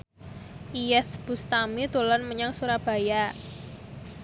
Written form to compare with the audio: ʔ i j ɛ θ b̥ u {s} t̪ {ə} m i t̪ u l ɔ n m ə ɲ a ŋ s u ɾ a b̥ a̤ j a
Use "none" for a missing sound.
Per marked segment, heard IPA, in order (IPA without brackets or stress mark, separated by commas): s, a